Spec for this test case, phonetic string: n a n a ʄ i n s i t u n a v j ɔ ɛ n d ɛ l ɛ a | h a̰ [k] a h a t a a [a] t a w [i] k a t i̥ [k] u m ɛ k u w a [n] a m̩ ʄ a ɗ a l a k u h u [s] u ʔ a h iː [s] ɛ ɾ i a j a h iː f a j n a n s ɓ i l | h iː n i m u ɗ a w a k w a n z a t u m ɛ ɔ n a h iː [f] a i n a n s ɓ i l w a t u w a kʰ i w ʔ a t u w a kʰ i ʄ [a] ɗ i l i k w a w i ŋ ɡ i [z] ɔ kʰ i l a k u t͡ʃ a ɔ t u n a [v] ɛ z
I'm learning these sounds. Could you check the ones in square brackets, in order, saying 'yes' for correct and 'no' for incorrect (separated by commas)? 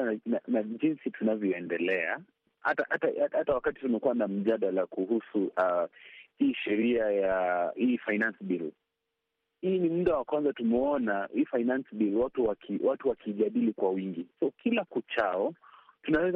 no, yes, no, no, yes, yes, no, yes, yes, no, no